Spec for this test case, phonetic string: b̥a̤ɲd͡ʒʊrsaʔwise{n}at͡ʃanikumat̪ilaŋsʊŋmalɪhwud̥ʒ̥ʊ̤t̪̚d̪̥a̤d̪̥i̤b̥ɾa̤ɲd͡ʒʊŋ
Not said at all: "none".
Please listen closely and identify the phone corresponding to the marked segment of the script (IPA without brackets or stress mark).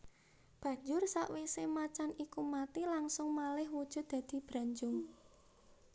m